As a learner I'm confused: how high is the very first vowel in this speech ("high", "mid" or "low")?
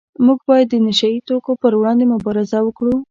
high